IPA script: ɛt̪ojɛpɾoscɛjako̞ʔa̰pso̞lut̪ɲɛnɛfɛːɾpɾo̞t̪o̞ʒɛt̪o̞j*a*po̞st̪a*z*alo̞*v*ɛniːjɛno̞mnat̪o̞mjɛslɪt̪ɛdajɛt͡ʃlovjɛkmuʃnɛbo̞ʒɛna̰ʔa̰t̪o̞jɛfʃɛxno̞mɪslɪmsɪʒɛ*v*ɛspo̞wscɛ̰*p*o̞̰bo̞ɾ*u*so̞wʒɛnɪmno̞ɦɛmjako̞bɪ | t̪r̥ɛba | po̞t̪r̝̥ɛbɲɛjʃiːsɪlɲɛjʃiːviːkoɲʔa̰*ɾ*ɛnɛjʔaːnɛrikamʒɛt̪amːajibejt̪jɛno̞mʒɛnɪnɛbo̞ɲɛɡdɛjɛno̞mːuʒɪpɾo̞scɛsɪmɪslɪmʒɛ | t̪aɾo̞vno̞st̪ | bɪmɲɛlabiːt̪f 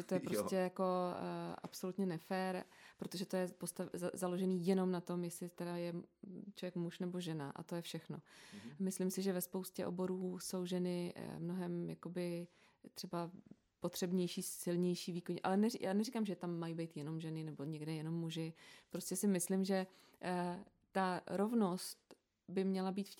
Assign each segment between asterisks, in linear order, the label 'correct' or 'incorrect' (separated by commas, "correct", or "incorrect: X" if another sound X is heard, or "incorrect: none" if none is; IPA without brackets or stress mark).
incorrect: ɛ, correct, incorrect: ʒ, correct, incorrect: ʔ, incorrect: uː, incorrect: l